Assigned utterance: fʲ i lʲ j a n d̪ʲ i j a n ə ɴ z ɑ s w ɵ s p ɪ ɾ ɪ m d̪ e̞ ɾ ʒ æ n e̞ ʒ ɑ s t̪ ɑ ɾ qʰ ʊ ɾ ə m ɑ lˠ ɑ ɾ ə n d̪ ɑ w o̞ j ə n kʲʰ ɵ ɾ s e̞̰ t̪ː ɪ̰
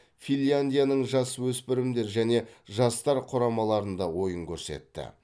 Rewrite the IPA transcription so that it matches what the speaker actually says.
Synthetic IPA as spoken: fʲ i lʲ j a n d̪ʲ i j a n ə ɴ ʒ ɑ s w ɵ s p ɪ ɾ ɪ m d̪ e̞ ɾ ʒ æ n e̞ ʒ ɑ s t̪ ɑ ɾ qʰ ʊ ɾ ɑ m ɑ lˠ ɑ ɾ ə n d̪ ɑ w o̞ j ə ŋ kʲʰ ɵ ɾ s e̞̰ t̪ː ɪ̰